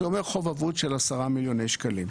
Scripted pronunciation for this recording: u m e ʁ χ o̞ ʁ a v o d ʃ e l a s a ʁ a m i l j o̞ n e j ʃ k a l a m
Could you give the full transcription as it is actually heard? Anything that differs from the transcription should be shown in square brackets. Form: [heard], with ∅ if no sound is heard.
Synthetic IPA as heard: [o] m e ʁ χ o̞ [v] a v [u] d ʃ e l a s a ʁ a m i l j o̞ n e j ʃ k a l [i] m